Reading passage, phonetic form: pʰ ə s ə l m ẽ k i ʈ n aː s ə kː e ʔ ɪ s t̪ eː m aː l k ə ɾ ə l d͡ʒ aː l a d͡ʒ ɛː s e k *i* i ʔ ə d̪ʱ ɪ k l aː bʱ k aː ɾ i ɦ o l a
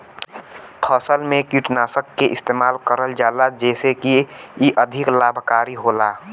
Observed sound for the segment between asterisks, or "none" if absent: i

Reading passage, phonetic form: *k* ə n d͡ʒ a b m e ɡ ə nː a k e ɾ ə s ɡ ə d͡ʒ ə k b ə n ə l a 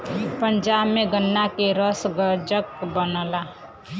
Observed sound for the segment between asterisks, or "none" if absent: p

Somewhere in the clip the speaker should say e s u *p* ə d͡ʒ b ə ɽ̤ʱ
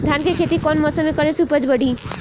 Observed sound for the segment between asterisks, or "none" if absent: p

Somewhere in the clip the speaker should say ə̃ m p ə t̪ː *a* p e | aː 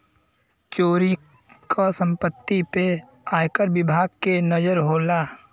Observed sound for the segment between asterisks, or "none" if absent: i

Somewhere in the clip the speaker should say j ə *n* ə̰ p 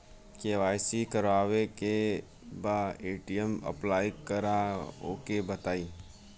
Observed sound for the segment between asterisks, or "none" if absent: m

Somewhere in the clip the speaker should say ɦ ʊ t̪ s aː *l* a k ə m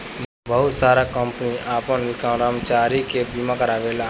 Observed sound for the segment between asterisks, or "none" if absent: ɾ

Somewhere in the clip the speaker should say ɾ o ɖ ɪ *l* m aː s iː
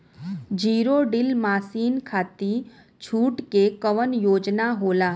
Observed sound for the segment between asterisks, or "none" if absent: l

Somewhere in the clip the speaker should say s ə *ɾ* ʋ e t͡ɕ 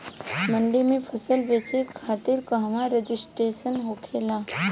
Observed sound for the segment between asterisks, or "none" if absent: l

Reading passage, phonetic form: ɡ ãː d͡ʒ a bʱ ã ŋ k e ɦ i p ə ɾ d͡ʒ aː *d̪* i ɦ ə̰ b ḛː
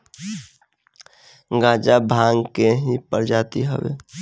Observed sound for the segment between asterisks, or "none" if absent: t̪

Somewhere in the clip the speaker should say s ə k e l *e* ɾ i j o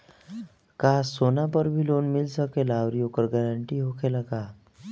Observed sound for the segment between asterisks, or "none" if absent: a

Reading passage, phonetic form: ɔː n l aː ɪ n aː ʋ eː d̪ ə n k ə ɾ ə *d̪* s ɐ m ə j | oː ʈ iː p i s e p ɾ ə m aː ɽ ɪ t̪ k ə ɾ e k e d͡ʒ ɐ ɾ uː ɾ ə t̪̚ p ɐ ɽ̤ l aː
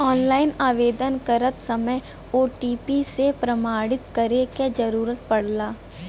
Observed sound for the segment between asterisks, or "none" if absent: t̪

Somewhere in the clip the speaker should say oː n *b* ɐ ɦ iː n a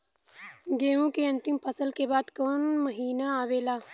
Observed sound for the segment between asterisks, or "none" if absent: m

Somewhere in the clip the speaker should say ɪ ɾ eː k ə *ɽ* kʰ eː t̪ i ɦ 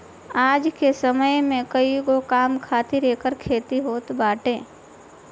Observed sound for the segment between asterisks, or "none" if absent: ɾ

